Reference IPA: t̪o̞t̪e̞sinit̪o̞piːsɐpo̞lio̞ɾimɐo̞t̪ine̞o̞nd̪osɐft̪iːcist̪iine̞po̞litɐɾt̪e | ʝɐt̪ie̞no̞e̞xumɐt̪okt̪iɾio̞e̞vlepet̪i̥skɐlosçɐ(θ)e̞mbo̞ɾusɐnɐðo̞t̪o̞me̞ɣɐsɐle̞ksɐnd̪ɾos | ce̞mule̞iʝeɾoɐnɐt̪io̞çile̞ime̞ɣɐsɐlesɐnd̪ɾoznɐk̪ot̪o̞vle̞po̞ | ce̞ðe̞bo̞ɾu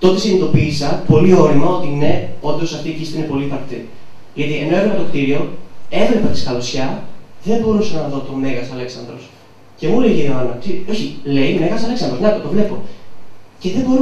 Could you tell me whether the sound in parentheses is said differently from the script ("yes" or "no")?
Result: yes